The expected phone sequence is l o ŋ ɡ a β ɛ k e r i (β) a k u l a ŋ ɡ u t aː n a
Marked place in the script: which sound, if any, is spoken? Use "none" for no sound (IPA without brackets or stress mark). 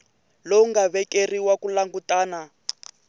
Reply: w